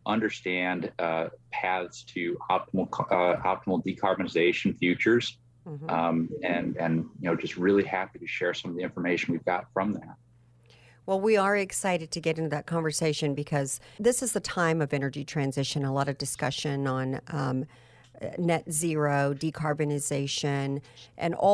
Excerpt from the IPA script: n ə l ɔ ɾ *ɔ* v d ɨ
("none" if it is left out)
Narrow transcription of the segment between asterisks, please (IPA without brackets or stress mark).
ʌ